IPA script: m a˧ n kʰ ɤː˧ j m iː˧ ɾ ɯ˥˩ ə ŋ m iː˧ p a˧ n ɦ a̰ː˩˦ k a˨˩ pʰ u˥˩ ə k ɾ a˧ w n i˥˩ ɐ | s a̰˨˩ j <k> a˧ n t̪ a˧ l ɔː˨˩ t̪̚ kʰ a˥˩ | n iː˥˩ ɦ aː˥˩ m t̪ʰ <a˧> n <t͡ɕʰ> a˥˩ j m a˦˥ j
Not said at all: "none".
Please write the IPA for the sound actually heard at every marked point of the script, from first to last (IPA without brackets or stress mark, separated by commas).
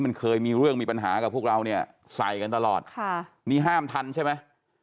k, a˧, t͡ɕʰ